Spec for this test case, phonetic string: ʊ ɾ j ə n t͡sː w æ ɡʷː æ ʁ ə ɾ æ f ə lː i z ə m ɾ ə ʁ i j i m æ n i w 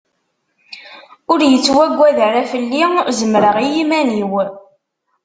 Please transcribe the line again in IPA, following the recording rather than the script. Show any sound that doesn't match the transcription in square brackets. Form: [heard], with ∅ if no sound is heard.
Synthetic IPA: ʊ ɾ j ə [∅] t͡sː w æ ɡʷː æ [ð] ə ɾ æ f ə lː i z ə m ɾ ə ʁ i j i m æ n i w